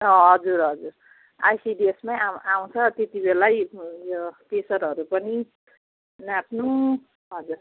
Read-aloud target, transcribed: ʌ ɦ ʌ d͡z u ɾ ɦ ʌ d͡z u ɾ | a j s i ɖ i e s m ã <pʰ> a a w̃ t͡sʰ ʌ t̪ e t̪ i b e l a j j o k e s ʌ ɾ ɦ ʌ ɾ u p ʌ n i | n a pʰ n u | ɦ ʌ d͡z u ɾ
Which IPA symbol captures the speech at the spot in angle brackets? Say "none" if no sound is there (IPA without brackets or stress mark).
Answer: none